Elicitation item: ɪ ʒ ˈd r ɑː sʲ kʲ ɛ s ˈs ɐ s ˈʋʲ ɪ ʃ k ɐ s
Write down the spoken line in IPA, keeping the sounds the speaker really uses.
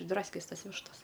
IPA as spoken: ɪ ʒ ˈd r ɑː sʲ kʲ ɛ s ˈt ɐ s ˈʋʲ ɪ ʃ t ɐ s